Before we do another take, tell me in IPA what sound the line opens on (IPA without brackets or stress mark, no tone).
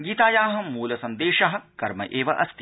ɡ